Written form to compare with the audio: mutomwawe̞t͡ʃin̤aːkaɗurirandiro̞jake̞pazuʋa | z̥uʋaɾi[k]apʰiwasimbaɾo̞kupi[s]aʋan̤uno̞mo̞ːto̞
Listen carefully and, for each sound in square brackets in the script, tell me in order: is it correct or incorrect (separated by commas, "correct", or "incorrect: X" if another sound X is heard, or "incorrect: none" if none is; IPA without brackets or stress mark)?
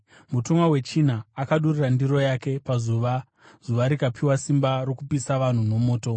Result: correct, correct